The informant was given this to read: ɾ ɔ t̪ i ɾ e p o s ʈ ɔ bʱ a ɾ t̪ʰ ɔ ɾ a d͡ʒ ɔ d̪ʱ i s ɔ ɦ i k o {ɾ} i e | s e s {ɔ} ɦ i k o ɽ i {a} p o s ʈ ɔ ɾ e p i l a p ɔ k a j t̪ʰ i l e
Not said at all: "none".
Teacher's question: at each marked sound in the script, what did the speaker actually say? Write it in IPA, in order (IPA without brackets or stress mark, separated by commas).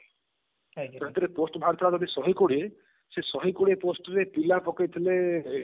ɽ, ɔ, e